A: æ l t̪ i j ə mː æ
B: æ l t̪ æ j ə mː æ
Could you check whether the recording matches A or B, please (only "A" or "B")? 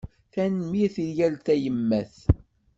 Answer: B